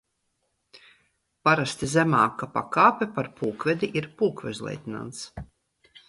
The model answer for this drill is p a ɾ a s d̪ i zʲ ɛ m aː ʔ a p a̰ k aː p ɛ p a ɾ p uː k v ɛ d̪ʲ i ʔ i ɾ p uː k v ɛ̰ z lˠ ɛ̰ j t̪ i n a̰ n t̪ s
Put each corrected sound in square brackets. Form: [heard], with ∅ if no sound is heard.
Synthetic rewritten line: p a ɾ a s [t̪] i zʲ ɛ m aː [k] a p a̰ k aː p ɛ p a ɾ p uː k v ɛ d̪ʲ i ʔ i ɾ p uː k v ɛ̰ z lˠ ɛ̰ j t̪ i n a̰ n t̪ s